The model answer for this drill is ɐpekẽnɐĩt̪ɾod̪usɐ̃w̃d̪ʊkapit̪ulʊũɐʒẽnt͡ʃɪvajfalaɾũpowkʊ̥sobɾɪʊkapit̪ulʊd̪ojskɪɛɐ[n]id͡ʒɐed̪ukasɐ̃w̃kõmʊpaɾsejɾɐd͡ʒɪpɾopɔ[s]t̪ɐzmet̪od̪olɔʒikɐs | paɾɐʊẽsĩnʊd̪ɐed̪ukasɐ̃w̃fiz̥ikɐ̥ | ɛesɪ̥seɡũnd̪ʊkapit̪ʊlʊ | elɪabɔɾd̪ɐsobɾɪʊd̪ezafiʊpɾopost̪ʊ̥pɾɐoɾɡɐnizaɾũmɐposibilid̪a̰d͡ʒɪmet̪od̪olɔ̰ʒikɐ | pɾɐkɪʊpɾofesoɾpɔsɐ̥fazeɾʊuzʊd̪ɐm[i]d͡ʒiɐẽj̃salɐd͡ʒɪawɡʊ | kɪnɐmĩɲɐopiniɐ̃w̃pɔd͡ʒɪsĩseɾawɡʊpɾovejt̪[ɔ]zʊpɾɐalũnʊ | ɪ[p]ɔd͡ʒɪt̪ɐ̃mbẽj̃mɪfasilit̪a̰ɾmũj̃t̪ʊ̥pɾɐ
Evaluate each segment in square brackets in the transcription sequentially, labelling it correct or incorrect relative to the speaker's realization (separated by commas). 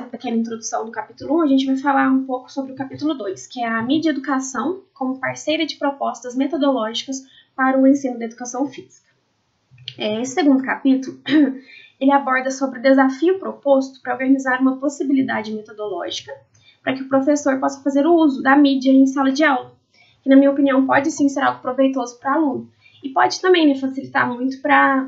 incorrect, correct, correct, incorrect, correct